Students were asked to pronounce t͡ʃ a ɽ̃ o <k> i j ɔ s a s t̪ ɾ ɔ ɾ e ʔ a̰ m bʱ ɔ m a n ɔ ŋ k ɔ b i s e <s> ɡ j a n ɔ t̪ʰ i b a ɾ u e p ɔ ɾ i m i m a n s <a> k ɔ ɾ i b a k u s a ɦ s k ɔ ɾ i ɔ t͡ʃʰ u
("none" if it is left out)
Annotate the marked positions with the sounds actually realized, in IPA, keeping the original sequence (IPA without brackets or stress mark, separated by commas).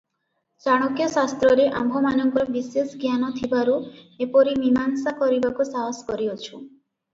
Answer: k, s, a